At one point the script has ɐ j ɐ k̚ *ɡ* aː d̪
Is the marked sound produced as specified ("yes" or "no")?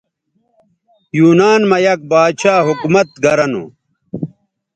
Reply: no